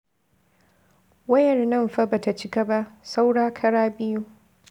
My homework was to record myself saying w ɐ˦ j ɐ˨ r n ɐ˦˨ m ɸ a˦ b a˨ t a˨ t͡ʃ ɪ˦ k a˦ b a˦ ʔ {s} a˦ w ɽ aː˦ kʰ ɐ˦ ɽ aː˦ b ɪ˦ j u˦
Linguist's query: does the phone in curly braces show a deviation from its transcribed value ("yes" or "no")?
no